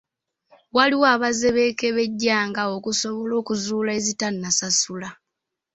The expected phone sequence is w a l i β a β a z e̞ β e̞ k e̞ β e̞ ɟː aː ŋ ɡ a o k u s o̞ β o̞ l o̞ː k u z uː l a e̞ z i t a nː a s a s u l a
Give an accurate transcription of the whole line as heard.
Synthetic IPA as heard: w a l i w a β a z e̞ β e̞ k e̞ β e̞ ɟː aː ŋ ɡ a o k u s o̞ β o̞ l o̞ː k u z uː l a e̞ z i t a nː a s a s u l a